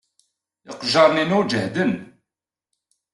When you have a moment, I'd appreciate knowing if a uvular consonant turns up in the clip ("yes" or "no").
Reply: yes